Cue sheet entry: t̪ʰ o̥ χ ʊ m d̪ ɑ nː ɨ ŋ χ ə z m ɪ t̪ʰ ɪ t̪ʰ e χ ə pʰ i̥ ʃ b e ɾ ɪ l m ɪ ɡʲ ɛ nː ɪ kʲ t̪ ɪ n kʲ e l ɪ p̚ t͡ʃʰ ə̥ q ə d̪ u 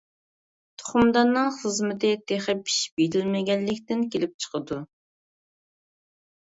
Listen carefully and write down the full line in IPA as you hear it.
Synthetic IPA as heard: t̪ʰ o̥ χ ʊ m d̪ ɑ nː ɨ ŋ χ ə z m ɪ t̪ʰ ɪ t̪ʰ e χ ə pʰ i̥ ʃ b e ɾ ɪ l m ɪ ɡʲ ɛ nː ɪ kʲ t̪ ɪ n kʲ e l ɪ p̚ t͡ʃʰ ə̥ q ə d̪ u